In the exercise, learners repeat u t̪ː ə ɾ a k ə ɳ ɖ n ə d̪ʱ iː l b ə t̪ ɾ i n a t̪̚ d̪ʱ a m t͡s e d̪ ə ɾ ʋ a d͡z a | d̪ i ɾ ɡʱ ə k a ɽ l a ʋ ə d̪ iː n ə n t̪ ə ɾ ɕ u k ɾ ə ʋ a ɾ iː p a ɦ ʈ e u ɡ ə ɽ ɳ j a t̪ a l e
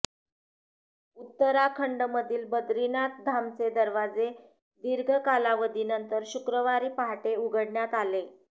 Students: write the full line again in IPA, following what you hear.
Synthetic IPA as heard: u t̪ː ə ɾ a kʰ ə ɳ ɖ m ə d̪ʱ iː l b ə d̪ ɾ i n a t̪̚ d̪ʱ a m t͡s e d̪ ə ɾ ʋ a d͡z e | d̪ i ɾ ɡʱ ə k a l a ʋ ə d̪ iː n ə n t̪ ə ɾ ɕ u k ɾ ə ʋ a ɾ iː p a ɦ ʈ e u ɡ ə ɽ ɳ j a t̪ a l e